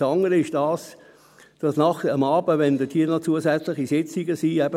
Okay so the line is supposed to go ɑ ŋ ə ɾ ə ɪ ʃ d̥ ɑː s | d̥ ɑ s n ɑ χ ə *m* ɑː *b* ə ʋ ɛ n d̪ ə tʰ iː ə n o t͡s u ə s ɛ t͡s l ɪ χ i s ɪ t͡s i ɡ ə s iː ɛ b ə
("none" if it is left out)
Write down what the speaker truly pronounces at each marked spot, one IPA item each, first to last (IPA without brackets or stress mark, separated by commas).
m, b